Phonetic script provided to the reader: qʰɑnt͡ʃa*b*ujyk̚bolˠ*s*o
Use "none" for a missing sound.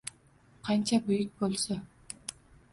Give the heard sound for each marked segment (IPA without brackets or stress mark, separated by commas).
b, s